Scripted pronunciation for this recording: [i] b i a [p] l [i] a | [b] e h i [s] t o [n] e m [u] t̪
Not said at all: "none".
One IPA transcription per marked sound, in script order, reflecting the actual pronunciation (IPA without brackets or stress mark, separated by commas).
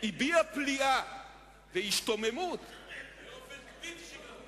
i, p, i, v, ʃ, m, u